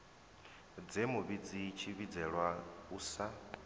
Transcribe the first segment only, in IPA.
d͡z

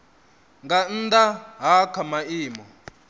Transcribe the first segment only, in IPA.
ŋ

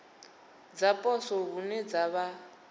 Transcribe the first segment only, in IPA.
d͡z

